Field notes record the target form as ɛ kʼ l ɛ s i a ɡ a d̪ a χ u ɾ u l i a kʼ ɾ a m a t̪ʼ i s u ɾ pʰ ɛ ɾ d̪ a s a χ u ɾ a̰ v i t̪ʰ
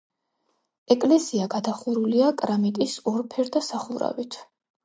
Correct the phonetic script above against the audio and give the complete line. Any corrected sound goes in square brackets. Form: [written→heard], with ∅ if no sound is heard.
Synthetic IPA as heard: ɛ kʼ l ɛ s i a ɡ a d̪ a χ u ɾ u l i a kʼ ɾ a m [a→i] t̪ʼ i s [u→ɔ] ɾ pʰ ɛ ɾ d̪ a s a χ u ɾ a̰ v i t̪ʰ